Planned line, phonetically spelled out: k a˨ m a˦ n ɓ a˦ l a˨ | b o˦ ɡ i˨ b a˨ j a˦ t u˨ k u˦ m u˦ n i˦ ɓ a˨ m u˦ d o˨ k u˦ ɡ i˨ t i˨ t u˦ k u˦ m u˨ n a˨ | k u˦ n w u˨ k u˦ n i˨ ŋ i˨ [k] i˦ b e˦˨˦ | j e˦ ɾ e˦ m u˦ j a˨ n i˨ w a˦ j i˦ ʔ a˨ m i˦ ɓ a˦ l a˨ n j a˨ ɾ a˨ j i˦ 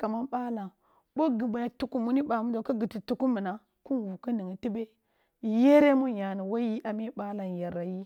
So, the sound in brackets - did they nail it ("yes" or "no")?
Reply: no